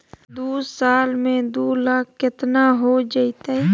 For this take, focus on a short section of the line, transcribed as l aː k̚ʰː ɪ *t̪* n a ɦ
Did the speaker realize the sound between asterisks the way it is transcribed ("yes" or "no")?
yes